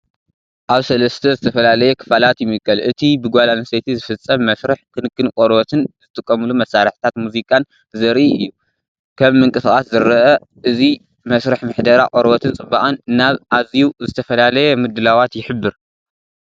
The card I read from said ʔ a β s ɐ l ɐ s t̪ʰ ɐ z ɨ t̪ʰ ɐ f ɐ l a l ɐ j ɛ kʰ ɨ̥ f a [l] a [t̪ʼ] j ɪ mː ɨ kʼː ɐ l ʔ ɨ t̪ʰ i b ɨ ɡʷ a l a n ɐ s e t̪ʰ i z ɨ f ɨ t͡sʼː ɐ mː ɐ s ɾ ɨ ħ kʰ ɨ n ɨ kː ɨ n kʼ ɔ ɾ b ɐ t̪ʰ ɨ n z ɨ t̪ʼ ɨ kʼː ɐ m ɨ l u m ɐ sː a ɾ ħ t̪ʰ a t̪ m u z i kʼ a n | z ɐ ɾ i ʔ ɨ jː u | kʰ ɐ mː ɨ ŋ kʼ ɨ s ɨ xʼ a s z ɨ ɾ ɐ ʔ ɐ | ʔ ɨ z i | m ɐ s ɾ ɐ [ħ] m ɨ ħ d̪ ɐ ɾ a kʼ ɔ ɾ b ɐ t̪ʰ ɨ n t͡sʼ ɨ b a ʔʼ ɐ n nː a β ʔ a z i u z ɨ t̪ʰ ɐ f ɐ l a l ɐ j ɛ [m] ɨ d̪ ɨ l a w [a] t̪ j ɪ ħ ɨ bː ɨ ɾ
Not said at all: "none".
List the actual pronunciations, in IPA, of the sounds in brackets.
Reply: l, t̪, ħ, m, a

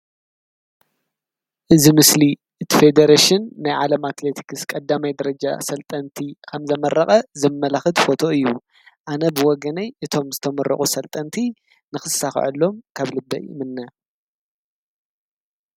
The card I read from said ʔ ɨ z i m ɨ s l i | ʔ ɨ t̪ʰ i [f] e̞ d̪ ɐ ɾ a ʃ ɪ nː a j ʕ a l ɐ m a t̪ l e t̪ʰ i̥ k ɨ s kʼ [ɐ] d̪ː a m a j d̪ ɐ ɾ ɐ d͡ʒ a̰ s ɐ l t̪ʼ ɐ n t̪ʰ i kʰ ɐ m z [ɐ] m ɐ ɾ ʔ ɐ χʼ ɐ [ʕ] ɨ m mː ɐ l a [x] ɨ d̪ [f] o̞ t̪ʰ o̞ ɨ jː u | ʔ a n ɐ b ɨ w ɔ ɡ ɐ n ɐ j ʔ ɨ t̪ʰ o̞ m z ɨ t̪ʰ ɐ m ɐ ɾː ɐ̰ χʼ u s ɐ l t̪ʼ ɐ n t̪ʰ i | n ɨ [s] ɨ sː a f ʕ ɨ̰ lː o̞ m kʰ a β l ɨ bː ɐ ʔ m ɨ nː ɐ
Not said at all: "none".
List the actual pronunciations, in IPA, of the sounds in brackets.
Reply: f, ɐ, ɐ, z, x, f, x

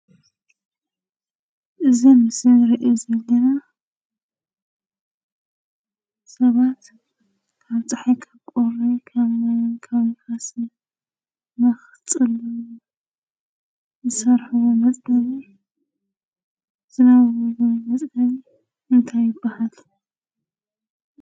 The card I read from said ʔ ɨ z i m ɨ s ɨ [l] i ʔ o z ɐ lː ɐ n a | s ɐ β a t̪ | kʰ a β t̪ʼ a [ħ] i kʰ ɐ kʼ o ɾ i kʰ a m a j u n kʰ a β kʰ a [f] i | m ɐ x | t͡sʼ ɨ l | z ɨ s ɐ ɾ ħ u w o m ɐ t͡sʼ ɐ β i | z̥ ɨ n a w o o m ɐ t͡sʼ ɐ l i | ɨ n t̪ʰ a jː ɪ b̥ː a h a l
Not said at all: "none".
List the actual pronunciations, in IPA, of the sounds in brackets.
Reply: ɾ, ħ, s

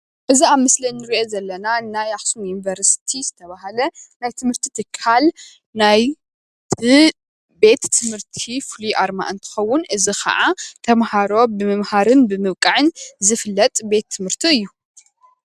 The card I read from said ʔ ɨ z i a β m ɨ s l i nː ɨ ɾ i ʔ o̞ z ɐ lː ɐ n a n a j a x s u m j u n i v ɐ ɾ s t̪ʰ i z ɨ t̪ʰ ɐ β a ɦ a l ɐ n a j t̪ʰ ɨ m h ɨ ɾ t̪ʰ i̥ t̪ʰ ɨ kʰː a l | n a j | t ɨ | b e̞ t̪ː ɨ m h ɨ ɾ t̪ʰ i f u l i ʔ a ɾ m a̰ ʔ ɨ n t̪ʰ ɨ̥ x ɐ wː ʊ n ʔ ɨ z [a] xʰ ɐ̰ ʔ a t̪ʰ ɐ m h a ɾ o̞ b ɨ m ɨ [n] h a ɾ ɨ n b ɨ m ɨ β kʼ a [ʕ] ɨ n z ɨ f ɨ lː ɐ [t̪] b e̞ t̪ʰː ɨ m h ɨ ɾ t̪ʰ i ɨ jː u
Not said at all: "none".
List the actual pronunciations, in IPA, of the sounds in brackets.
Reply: i, m, ʕ, t̪ʼ

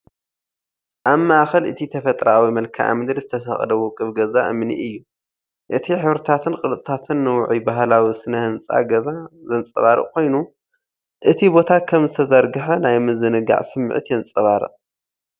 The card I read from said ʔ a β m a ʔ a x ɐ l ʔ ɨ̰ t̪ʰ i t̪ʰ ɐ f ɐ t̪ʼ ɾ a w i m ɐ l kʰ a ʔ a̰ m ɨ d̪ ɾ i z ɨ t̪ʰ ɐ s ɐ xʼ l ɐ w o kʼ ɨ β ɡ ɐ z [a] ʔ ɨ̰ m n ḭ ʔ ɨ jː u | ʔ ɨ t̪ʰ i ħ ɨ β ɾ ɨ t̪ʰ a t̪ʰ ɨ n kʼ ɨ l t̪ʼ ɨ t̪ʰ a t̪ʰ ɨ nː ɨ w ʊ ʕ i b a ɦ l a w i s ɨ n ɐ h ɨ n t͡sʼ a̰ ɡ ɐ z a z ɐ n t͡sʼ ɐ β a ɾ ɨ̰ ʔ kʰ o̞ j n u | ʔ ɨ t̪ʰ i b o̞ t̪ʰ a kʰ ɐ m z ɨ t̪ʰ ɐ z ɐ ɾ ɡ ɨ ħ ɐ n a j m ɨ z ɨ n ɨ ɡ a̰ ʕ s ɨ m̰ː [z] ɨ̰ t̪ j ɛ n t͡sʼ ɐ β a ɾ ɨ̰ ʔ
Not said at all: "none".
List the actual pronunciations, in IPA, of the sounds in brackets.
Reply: a, ʕ

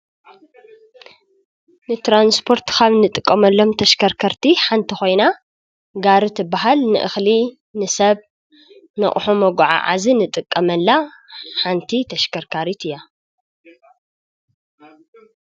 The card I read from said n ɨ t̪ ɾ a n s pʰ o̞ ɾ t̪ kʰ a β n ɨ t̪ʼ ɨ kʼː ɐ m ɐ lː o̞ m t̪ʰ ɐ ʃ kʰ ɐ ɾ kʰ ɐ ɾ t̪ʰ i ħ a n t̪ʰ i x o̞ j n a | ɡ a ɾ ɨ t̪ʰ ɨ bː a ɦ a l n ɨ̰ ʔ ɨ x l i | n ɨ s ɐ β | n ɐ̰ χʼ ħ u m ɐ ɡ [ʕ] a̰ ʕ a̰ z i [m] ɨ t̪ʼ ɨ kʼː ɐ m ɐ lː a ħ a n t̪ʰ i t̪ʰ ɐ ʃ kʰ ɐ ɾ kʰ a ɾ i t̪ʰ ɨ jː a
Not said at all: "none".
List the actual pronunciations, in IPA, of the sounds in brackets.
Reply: ʕ, n

